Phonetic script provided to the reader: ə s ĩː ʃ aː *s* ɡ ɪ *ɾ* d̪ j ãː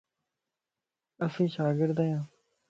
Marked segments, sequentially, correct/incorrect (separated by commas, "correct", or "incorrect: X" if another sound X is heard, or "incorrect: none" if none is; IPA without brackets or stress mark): incorrect: none, correct